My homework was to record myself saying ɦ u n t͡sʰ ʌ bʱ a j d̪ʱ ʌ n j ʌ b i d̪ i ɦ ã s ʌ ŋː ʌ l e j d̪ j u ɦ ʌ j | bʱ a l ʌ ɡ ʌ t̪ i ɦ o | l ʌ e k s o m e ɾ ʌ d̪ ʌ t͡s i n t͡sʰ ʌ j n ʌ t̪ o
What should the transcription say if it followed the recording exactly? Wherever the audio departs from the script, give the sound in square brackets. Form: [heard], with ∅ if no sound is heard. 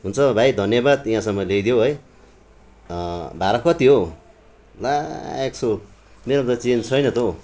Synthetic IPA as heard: ɦ u n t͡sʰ ʌ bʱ a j d̪ʱ ʌ n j ʌ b [a] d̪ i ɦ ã s ʌ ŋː ʌ l e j d̪ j [o] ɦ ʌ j | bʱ a [ɾ] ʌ [k] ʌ t̪ i ɦ o | l [a] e k s o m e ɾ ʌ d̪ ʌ t͡s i n t͡sʰ ʌ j n ʌ t̪ o